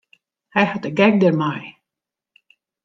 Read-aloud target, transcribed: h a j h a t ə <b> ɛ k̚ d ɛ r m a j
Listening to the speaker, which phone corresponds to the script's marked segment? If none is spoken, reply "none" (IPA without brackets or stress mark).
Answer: ɡ